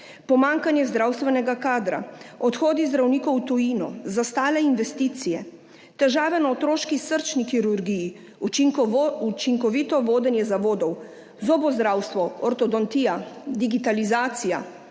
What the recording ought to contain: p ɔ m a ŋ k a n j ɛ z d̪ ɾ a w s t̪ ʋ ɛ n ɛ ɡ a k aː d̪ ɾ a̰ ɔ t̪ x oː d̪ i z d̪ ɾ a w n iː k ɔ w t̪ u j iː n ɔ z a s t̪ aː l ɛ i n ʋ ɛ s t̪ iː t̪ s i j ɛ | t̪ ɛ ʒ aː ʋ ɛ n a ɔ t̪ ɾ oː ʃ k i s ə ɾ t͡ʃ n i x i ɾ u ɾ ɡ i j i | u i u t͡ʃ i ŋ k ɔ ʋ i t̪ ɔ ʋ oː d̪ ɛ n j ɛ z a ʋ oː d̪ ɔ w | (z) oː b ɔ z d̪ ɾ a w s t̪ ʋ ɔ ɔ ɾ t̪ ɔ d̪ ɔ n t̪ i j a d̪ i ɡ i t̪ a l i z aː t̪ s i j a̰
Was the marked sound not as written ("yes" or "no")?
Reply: no